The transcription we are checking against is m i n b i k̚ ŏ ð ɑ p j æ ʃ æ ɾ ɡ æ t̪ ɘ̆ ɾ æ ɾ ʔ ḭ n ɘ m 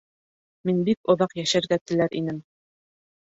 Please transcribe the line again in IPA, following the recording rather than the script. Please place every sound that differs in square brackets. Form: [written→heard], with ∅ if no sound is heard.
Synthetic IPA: m i n b i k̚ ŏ ð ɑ [p→q] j æ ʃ æ ɾ ɡ æ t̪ ɘ̆ [ɾ→l] æ ɾ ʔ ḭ n ɘ m